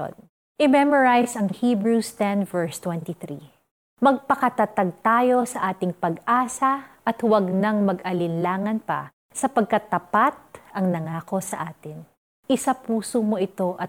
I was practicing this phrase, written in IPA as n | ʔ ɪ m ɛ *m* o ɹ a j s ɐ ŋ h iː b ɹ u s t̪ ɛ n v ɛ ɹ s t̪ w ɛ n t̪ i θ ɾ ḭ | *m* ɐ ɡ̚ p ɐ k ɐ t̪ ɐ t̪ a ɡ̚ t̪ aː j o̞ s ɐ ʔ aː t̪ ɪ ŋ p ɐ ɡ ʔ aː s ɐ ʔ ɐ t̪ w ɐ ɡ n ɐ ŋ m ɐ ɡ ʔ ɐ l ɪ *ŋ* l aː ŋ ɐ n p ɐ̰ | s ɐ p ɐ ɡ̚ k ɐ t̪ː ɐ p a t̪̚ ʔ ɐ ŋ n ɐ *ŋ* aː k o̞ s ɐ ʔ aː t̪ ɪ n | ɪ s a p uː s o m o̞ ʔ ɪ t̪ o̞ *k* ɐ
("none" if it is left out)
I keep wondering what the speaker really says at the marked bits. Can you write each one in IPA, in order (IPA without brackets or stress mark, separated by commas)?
m, m, n, ŋ, ʔ